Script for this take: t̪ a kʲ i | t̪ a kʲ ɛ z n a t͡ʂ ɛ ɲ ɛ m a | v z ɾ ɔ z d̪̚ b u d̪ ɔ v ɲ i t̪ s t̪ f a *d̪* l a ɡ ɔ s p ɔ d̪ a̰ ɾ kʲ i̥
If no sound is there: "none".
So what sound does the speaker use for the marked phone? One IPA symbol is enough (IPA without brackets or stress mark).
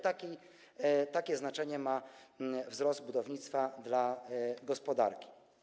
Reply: d̪